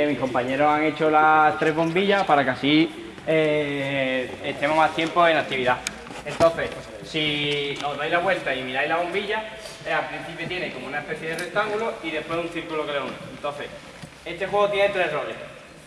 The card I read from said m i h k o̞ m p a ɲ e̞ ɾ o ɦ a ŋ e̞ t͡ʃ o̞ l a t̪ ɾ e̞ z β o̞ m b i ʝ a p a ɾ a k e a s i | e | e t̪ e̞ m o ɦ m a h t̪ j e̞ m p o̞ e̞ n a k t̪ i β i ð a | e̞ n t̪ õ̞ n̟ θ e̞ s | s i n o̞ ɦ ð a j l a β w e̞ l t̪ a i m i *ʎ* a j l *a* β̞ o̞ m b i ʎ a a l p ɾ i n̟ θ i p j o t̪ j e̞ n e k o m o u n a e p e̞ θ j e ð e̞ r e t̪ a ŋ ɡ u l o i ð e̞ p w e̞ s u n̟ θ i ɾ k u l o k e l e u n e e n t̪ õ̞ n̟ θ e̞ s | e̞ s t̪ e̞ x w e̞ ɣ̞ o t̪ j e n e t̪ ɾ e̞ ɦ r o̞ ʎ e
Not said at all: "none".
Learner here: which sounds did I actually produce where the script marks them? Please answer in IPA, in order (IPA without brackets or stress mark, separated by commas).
ɾ, a